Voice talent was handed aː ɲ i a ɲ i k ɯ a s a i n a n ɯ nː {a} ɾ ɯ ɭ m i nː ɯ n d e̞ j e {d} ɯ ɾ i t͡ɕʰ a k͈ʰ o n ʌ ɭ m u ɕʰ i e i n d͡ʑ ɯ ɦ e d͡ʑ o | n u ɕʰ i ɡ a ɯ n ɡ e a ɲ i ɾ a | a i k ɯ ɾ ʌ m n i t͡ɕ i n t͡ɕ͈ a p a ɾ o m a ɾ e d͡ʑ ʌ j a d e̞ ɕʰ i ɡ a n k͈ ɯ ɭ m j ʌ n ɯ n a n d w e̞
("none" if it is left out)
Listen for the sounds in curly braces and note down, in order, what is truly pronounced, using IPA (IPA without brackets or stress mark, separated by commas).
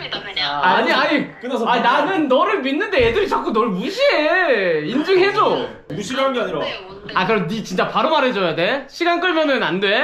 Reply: ʌ, d